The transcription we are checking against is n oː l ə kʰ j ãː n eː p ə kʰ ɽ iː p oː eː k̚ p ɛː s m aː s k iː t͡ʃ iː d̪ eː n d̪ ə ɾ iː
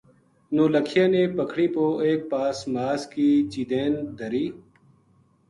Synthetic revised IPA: n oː l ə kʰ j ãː n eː p ə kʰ ɽ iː p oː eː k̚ p aː s m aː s k iː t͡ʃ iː d̪ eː n d̪ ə ɾ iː